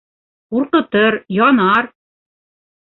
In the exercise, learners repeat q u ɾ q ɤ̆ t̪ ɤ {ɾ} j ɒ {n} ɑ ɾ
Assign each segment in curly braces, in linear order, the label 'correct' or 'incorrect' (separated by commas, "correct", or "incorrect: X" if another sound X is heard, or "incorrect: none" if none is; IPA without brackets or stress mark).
correct, correct